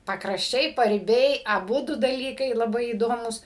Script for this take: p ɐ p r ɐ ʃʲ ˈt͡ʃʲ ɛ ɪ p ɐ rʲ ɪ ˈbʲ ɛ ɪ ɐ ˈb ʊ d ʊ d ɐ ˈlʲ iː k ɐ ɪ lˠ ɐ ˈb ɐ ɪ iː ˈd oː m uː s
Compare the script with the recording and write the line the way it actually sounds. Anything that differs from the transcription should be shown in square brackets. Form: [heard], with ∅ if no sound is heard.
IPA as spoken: p ɐ [k] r ɐ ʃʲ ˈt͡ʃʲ ɛ ɪ p ɐ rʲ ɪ ˈbʲ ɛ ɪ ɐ ˈb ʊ d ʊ d ɐ ˈlʲ iː k ɐ ɪ lˠ ɐ ˈb ɐ ɪ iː ˈd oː m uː s